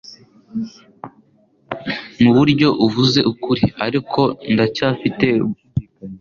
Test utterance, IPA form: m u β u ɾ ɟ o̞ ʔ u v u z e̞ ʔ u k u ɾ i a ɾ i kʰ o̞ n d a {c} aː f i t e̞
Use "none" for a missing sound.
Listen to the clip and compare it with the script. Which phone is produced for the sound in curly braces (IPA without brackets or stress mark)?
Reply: c